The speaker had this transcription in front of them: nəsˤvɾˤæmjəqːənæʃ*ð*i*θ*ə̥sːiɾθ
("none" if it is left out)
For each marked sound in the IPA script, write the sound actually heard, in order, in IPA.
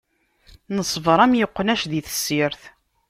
ð, θ

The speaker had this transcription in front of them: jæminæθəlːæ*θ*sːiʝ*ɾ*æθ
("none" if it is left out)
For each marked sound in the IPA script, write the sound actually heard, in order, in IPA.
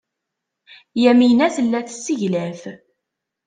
θ, l

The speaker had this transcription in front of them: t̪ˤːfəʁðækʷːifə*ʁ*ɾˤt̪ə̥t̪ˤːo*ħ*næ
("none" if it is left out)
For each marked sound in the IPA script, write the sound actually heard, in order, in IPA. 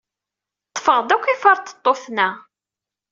none, θ

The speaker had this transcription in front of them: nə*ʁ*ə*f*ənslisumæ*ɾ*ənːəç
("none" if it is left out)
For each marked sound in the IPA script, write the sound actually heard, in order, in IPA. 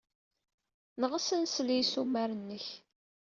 ʁ, s, ɾ

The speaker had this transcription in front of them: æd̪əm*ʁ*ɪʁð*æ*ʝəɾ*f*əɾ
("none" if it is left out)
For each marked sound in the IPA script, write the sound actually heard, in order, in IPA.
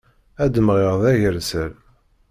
ʁ, æ, s

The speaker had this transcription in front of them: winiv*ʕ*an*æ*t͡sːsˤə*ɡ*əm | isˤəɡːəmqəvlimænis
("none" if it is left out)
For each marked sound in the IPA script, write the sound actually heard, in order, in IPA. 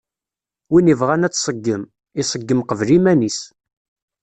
ʁ, æ, ɡː

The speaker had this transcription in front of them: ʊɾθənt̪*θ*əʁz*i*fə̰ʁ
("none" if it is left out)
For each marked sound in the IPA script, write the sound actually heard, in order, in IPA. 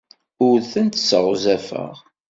s, æ

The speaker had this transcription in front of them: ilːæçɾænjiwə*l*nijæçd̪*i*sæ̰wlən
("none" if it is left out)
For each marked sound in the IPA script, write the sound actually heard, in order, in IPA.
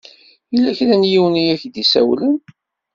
none, i

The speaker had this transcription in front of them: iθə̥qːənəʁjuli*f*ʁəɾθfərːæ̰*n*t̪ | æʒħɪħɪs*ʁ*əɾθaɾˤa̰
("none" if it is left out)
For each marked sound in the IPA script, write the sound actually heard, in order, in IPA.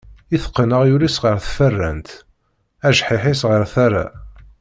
s, n, ʁ

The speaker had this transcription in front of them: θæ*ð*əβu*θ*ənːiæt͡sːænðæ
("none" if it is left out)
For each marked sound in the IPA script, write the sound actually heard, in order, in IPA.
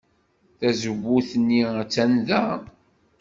z, θ

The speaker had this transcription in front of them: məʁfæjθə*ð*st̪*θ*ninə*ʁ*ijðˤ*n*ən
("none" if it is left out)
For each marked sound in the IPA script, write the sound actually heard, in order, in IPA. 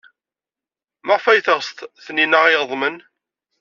ʁ, θ, ʁ, m

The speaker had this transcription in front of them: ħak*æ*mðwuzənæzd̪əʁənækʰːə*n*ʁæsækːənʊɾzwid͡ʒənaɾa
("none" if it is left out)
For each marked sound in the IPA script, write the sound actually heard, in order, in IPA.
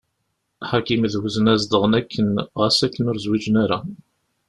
i, n

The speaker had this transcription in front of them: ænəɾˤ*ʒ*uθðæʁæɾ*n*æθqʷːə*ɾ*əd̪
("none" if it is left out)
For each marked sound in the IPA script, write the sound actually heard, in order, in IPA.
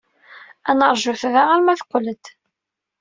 ʒ, m, l

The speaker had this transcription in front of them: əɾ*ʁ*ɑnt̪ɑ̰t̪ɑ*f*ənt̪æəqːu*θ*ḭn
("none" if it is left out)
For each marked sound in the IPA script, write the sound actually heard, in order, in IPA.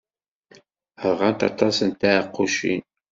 ʁ, s, ʃ

